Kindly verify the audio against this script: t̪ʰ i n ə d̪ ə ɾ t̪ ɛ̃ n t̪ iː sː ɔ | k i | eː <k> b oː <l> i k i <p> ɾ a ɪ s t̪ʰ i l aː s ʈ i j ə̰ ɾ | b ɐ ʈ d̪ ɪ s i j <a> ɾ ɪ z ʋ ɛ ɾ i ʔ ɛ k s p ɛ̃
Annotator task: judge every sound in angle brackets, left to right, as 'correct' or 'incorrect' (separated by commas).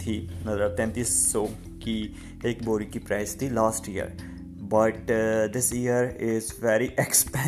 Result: correct, incorrect, correct, incorrect